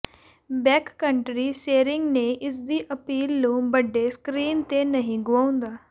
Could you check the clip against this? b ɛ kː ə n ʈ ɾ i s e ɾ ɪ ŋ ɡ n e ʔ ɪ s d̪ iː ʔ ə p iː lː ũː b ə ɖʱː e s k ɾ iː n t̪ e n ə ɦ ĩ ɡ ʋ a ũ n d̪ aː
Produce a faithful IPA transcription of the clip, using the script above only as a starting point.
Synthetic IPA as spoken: b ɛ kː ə ɳ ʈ ɾ i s e ɾ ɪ ŋ ɡ n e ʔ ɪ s d̪ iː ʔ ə p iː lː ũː b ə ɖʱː e s k ɾ iː n t̪ e n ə ɦ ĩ ɡ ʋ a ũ n d̪ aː

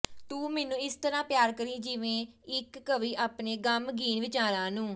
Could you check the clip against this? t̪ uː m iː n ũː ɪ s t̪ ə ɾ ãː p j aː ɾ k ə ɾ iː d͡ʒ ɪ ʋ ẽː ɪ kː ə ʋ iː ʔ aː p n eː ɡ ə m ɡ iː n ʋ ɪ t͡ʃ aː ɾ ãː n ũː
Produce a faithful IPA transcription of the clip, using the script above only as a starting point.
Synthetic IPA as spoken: t̪ uː m ɛː n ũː ɪ s t̪ ə ɾ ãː p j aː ɾ k ə ɾ iː d͡ʒ ɪ ʋ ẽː ɪ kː ə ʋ iː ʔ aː p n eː ɡ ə m ɡ iː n ʋ ɪ t͡ʃ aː ɾ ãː n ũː

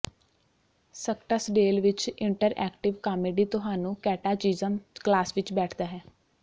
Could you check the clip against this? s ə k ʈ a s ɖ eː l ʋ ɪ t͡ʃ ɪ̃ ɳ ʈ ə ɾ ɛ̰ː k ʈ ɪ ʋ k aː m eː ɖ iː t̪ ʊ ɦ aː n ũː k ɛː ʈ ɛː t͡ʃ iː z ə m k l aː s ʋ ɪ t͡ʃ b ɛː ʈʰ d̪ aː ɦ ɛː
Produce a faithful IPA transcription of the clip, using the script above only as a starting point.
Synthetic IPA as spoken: s ə k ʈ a s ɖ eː l ʋ ɪ t͡ʃ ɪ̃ ɳ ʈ ə ɾ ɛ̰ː k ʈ ɪ ʋ k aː m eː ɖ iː t̪ ʊ ɦ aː n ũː k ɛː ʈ aː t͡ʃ iː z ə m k l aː s ʋ ɪ t͡ʃ b ɛː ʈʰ d̪ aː ɦ ɛː

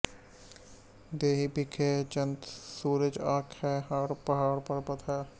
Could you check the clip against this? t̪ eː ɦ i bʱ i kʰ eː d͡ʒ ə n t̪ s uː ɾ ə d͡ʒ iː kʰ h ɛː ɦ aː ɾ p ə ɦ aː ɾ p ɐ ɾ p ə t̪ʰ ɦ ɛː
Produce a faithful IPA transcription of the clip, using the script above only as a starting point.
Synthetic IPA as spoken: d̪ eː ɦ i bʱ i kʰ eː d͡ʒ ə n t̪ s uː ɾ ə d͡ʒ aː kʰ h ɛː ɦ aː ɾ p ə ɦ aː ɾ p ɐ ɾ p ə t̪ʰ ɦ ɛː

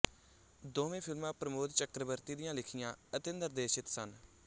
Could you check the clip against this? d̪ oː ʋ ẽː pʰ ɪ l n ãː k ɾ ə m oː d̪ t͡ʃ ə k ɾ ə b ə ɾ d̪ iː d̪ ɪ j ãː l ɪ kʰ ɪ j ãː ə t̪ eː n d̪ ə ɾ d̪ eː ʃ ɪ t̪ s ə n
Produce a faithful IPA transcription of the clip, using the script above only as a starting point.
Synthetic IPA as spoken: d̪ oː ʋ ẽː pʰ ɪ l m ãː p ɾ ə m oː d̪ t͡ʃ ə k ɾ ə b ə ɾ t̪ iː d̪ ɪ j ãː l ɪ kʰ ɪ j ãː ə t̪ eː n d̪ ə ɾ d̪ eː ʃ ɪ t̪ s ə n

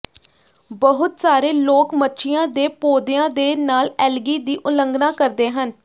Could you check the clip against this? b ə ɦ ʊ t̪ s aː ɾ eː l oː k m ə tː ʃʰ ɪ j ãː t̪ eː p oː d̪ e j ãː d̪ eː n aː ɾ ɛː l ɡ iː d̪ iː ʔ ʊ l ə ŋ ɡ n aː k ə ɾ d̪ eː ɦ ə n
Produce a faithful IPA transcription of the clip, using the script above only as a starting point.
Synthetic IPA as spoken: b ə ɦ ʊ t̪ s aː ɾ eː l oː k m ə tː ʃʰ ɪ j ãː d̪ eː p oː d̪ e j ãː d̪ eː n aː l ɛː l ɡ iː d̪ iː ʔ ʊ l ə ŋ ɡ n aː k ə ɾ d̪ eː ɦ ə n

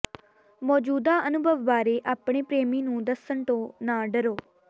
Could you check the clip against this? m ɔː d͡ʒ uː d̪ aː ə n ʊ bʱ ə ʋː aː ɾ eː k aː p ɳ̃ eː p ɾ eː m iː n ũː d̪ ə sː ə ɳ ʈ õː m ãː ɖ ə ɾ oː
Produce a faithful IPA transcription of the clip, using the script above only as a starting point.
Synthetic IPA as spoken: m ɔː d͡ʒ uː d̪ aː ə n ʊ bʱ ə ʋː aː ɾ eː ʔ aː p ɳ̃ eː p ɾ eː m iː n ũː d̪ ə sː ə ɳ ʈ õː n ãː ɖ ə ɾ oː

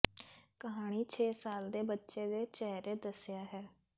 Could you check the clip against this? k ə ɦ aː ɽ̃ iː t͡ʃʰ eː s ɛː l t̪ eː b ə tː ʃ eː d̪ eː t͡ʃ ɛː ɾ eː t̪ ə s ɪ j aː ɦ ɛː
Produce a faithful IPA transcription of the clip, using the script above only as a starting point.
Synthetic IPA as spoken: k ə ɦ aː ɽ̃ iː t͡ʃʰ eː s aː l d̪ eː b ə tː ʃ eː d̪ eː t͡ʃ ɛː ɾ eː d̪ ə s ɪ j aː ɦ ɛː

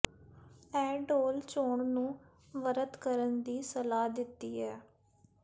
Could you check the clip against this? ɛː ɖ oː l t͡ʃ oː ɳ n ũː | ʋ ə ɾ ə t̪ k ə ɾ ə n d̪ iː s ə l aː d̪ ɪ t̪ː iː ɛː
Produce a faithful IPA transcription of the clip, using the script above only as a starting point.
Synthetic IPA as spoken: ɛː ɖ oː l t͡ʃ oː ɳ n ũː | ʋ ə ɾ ə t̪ k ə ɾ ə n d̪ iː s ə l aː d̪ ɪ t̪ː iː ɛː

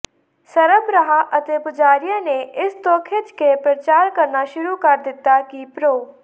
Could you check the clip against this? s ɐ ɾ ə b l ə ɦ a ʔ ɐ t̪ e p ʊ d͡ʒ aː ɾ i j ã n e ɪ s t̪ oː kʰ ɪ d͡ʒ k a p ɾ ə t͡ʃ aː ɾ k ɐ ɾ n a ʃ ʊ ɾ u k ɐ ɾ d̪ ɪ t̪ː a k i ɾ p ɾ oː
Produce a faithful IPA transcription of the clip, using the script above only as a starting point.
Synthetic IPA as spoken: s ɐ ɾ ə b ɾ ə ɦ a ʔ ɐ t̪ e p ʊ d͡ʒ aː ɾ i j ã n e ɪ s t̪ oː kʰ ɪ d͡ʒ k e p ɾ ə t͡ʃ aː ɾ k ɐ ɾ n a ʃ ʊ ɾ u k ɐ ɾ d̪ ɪ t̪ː a k i p ɾ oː

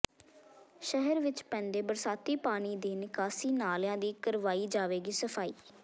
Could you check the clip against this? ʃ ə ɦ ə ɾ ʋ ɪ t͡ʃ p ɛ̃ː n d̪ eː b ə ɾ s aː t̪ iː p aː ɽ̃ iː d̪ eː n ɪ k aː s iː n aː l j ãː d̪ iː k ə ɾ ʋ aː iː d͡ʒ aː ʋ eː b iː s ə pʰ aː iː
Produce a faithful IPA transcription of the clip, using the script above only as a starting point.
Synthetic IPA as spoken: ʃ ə ɦ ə ɾ ʋ ɪ t͡ʃ p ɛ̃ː n d̪ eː b ə ɾ s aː t̪ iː p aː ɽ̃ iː d̪ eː n ɪ k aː s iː n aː l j ãː d̪ iː k ə ɾ ʋ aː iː d͡ʒ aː ʋ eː ɡ iː s ə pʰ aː iː

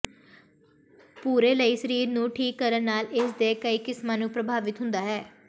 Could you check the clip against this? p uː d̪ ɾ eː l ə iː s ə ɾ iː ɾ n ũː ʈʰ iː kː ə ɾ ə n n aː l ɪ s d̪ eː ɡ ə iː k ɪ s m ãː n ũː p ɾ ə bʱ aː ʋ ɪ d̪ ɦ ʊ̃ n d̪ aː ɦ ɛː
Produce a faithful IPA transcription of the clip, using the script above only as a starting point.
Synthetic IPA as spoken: p uː ɾ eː l ə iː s ə ɾ iː ɾ n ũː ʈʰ iː kː ə ɾ ə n n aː l ɪ s d̪ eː k ə iː k ɪ s m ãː n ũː p ɾ ə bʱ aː ʋ ɪ t̪ ɦ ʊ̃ n d̪ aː ɦ ɛː

